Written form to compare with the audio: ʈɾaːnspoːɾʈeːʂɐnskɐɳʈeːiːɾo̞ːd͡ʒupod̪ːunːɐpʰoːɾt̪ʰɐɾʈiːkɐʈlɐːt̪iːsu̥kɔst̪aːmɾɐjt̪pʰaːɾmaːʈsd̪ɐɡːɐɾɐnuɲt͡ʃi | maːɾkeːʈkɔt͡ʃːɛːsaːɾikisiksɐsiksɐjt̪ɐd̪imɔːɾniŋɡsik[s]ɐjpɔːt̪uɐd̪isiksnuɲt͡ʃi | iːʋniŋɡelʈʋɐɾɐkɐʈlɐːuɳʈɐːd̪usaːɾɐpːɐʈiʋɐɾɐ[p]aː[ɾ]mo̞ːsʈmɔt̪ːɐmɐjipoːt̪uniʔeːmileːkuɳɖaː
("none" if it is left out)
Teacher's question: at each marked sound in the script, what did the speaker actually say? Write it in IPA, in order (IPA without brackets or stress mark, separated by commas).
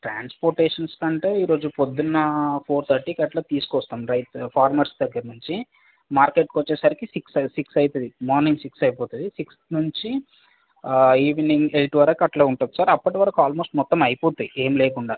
s, k, l